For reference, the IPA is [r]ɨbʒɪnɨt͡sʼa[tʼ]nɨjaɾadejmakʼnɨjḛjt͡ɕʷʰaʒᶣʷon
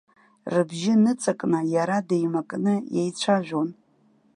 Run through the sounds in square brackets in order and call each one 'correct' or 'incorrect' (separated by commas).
correct, incorrect